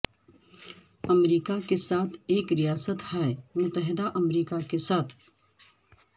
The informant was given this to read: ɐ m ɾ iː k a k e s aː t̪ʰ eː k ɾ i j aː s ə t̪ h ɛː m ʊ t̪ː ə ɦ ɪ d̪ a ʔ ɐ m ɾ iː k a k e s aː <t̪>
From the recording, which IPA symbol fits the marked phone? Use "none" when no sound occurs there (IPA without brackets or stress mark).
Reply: t̪ʰ